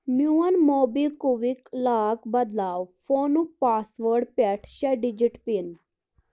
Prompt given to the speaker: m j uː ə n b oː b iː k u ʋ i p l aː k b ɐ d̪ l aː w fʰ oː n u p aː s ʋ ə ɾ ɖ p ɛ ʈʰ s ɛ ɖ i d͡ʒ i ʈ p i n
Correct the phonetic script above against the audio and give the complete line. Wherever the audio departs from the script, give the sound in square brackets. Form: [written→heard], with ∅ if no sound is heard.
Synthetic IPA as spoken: m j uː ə n [b→m] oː b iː k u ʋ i [p→k] l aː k b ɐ d̪ l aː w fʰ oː n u p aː s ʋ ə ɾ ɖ p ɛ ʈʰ [s→ʃ] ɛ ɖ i d͡ʒ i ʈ p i n